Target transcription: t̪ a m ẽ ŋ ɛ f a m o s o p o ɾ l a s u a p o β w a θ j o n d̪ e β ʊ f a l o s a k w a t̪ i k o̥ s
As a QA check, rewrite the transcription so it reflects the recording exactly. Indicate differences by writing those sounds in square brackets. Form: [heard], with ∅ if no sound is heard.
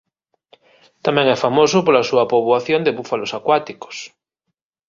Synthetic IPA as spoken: t̪ a m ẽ ŋ ɛ f a m o s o p o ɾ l a s u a p o β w a θ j o n d̪ e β [u] f a l o s a k w a t̪ i k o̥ s